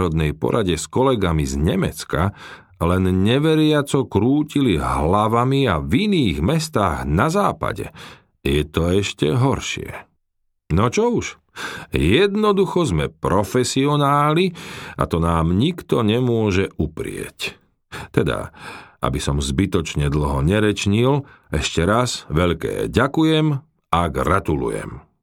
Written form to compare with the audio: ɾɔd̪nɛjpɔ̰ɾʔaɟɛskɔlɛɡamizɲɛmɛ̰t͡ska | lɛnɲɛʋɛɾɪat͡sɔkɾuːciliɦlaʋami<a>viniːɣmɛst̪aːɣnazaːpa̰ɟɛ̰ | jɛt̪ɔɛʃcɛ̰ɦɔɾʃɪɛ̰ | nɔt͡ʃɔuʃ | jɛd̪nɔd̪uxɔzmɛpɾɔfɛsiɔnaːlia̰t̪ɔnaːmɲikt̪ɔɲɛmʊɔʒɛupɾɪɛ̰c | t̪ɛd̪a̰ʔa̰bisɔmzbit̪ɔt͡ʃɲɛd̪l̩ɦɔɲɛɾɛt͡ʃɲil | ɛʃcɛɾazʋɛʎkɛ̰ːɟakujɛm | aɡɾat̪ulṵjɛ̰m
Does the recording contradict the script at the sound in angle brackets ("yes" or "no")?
no